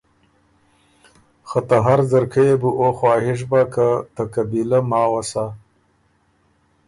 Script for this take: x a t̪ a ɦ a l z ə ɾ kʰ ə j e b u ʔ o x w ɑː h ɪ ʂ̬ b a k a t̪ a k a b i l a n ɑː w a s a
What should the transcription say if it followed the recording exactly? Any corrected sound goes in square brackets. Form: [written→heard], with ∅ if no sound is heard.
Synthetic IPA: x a t̪ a ɦ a [l→ɾ] z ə ɾ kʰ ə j e b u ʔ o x w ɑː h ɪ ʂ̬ b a k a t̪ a k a b i l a [n→m] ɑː w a s a